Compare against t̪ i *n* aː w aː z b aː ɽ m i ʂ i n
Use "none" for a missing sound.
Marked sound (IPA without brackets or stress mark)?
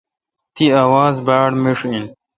none